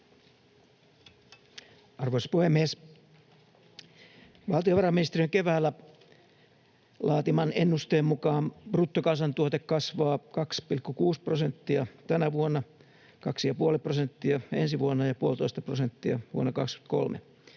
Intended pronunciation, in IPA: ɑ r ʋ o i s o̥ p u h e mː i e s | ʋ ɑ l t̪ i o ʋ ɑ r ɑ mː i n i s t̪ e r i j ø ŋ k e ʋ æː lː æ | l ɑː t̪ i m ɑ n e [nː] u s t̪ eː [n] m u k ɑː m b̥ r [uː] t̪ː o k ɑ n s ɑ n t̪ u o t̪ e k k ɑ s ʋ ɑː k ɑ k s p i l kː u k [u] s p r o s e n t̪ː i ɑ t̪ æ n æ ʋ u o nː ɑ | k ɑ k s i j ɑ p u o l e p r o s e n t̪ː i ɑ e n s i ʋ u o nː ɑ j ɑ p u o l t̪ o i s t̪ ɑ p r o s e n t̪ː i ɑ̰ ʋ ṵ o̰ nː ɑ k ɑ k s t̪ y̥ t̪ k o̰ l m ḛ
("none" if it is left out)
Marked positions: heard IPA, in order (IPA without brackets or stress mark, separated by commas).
nː, m, u, uː